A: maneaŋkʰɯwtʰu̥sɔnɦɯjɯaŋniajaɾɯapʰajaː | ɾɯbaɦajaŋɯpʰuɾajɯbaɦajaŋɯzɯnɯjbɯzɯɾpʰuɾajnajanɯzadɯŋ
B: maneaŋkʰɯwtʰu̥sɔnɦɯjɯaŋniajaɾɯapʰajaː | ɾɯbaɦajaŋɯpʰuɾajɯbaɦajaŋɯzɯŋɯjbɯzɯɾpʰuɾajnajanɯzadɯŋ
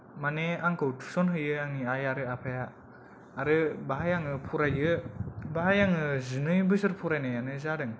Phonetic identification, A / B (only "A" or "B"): A